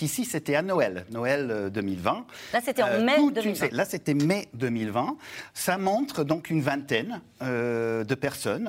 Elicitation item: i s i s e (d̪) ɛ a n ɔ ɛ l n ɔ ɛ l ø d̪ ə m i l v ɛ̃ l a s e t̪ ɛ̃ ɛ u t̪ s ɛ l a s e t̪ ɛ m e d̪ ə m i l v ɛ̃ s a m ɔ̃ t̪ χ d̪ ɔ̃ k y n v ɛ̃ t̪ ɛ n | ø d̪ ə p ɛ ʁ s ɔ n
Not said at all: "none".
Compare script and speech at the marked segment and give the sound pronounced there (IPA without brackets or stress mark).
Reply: t̪